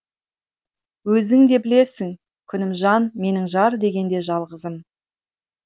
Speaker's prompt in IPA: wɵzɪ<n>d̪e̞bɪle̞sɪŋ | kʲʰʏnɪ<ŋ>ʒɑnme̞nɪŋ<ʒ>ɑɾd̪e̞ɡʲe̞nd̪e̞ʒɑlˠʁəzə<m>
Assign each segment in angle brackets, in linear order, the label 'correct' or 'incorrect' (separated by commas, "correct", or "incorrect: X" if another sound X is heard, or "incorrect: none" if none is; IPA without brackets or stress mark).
incorrect: ŋ, incorrect: m, correct, correct